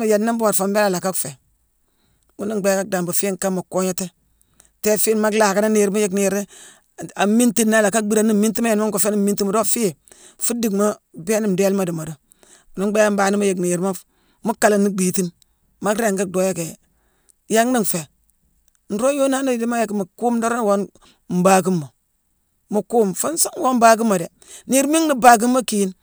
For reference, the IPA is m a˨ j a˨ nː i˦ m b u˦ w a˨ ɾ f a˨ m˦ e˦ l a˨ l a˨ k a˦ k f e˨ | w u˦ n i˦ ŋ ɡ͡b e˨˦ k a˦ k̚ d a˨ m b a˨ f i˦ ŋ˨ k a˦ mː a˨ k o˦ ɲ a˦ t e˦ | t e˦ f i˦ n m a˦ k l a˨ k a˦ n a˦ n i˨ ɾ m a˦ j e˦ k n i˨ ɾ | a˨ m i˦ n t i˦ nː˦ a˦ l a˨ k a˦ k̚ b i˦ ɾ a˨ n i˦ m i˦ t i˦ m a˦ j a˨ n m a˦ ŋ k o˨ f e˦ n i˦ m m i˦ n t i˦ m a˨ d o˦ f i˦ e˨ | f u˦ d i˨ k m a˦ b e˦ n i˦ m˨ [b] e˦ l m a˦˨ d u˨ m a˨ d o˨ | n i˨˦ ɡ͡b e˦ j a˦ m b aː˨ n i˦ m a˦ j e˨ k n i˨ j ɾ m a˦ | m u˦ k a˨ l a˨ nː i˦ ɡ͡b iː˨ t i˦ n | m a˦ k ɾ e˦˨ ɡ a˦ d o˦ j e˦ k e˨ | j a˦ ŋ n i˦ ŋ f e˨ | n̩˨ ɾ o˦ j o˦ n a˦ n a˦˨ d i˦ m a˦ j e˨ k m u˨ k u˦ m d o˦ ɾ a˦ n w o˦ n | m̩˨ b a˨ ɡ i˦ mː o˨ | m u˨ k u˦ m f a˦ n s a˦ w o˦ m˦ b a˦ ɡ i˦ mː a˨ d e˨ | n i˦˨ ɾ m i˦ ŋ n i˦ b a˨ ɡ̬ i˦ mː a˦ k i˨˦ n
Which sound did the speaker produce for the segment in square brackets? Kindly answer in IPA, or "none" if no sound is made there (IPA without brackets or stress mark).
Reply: d